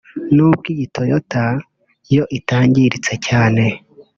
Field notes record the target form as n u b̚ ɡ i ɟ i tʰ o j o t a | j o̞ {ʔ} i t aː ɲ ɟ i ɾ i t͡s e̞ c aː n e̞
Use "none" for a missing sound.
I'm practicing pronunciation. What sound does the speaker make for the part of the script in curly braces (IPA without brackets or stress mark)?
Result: ʔ